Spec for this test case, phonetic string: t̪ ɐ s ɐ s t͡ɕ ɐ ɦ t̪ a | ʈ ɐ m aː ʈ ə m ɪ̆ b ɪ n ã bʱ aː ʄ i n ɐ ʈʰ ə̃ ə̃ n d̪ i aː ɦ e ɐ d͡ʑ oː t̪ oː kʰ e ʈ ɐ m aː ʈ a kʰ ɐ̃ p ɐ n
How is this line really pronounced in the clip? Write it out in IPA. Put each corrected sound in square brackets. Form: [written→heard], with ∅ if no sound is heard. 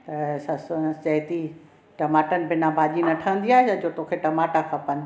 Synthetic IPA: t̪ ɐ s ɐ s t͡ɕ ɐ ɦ t̪ [a→i] | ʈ ɐ m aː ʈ ə [m→n] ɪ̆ b ɪ n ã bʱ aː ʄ i n ɐ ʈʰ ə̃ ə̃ n d̪ i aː ɦ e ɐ d͡ʑ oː t̪ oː kʰ e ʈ ɐ m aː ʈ a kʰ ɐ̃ p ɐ n